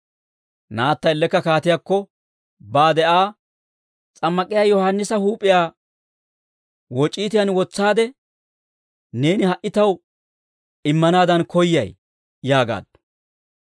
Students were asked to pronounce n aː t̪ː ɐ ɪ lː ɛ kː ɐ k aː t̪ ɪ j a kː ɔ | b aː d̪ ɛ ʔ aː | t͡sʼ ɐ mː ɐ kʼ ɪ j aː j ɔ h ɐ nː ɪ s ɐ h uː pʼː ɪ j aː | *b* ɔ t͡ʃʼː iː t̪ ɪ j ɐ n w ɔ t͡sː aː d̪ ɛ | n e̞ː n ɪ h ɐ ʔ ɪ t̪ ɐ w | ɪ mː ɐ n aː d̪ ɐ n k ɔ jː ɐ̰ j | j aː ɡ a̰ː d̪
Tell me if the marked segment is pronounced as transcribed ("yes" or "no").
no